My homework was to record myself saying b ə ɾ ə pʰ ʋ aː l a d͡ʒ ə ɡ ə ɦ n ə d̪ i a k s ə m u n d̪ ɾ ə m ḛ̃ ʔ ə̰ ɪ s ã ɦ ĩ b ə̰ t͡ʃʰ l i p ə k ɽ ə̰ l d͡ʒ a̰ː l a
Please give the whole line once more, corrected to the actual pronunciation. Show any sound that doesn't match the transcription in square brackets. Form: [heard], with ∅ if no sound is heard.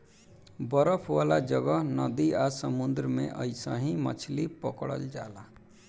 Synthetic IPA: b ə ɾ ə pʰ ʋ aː l a d͡ʒ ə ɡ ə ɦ n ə d̪ i a [∅] s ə m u n d̪ ɾ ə m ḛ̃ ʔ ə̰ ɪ s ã ɦ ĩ [m] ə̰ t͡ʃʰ l i p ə k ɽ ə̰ l d͡ʒ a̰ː l a

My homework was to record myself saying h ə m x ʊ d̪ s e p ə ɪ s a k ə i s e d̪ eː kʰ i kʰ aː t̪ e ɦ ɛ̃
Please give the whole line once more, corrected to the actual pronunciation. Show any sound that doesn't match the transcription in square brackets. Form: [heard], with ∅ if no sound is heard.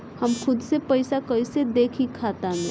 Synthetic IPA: h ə m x ʊ d̪ s e p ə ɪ s a k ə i s e d̪ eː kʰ i kʰ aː t̪ [a] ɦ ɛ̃

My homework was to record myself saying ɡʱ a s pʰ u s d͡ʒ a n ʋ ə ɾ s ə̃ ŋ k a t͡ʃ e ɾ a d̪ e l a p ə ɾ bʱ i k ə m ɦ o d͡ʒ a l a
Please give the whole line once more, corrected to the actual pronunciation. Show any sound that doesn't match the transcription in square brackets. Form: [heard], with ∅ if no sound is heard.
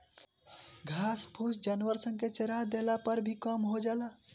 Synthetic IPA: ɡʱ a s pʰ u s d͡ʒ a n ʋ ə ɾ s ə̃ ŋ k [e] t͡ʃ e ɾ a d̪ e l a p ə ɾ bʱ i k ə m ɦ o d͡ʒ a l a

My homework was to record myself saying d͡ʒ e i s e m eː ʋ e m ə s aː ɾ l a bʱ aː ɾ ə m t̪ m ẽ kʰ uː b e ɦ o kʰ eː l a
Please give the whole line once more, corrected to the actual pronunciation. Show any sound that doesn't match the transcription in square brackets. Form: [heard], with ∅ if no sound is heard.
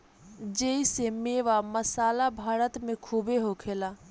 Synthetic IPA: d͡ʒ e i s e m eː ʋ [a] m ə s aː [∅] l a bʱ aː ɾ ə [∅] t̪ m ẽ kʰ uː b e ɦ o kʰ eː l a

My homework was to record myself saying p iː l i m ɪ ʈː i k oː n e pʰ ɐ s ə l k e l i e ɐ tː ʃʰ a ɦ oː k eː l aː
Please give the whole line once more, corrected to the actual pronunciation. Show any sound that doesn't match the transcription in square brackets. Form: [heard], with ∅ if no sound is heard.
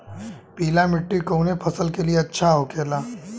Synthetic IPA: p iː l [a] m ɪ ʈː i k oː n e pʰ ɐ s ə l k e l i e ɐ tː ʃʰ a ɦ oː k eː l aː

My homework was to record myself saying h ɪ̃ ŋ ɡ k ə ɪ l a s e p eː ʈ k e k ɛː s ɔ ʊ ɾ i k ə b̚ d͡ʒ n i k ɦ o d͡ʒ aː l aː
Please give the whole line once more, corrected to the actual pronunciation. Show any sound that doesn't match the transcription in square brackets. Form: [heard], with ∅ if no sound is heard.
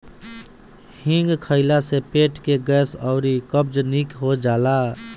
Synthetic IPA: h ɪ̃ ŋ ɡ [kʰ] ə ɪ l a s e p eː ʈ k e [ɡ] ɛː s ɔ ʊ ɾ i k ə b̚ d͡ʒ n i k ɦ o d͡ʒ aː l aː

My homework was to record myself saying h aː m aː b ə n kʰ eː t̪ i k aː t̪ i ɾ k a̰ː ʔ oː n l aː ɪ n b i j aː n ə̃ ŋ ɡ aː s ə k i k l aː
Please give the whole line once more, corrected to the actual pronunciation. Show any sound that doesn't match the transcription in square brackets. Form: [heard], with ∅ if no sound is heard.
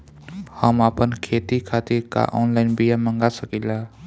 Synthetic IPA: h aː m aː [p] ə n kʰ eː t̪ i [kʰ] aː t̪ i ɾ k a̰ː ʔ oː n l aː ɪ n b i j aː [m] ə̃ ŋ ɡ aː s ə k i [∅] l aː

